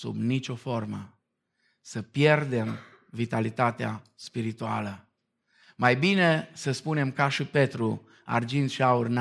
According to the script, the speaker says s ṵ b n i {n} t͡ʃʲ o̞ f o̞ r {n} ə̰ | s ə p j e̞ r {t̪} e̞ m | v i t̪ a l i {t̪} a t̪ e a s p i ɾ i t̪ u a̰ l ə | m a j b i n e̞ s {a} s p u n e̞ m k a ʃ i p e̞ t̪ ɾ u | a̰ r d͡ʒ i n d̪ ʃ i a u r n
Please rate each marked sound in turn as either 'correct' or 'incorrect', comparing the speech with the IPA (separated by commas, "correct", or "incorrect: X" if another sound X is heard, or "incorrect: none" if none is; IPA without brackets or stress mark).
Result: incorrect: none, incorrect: m, incorrect: d̪, correct, incorrect: ə